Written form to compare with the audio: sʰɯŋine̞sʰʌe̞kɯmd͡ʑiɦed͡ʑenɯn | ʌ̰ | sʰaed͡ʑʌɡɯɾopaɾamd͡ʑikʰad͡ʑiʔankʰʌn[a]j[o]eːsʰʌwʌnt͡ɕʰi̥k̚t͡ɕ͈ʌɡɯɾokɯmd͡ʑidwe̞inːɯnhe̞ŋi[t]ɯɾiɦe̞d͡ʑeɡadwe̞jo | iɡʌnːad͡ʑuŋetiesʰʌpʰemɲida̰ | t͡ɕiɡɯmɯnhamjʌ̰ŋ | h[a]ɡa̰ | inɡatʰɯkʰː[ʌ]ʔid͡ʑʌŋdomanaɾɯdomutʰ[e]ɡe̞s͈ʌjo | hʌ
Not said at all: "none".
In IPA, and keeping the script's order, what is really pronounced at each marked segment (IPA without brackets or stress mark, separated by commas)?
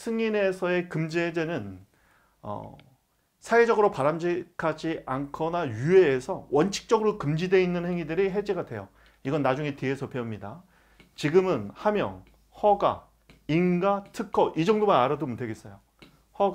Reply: a, u, d, ʌ, ʌ, e